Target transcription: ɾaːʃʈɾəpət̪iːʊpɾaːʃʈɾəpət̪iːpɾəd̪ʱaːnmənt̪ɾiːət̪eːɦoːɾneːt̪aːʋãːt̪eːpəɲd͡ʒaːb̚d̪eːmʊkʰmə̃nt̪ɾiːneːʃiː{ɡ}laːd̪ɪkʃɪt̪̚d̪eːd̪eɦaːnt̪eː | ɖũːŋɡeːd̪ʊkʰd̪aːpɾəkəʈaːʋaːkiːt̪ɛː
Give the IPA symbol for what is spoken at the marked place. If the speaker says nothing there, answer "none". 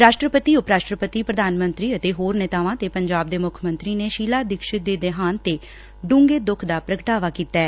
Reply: none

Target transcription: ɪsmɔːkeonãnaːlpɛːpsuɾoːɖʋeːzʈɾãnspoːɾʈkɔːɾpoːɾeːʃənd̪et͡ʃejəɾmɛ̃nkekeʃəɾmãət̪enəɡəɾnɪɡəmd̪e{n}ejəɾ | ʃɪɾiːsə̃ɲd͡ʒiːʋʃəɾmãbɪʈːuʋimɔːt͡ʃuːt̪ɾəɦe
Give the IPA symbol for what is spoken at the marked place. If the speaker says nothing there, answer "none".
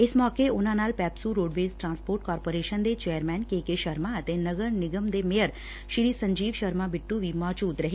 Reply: m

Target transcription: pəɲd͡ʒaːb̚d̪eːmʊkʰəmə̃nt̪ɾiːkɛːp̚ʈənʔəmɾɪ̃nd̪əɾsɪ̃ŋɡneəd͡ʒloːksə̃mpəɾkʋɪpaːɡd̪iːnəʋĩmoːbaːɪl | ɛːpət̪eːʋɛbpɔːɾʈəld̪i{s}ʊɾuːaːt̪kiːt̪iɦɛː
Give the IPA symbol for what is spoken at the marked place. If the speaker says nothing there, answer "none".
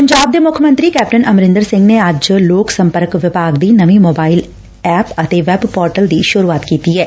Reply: ʃ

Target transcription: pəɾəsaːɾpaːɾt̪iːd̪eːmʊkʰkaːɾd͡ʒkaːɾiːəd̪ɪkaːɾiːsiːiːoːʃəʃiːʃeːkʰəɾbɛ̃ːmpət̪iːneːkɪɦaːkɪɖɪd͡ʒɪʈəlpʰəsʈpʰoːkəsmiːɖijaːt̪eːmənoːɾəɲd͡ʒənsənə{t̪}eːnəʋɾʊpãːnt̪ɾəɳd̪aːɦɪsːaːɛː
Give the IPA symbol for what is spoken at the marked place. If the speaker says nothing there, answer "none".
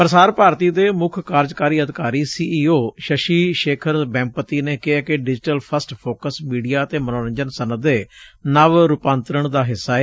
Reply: d̪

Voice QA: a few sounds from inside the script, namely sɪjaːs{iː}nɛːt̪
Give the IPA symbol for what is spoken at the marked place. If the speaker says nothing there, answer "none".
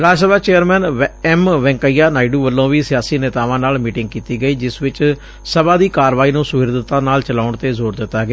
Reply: iː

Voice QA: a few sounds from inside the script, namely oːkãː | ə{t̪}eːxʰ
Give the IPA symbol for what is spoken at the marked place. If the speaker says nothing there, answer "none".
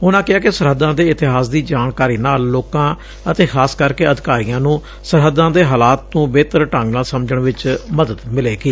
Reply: t̪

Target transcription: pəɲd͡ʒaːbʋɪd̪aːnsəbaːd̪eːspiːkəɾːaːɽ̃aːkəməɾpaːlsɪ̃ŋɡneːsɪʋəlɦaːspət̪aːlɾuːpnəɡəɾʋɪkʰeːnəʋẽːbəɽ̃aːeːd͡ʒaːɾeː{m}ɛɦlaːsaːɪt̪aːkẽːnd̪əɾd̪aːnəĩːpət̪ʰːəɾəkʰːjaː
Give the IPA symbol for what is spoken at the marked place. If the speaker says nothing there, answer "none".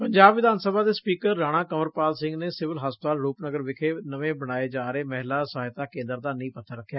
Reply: m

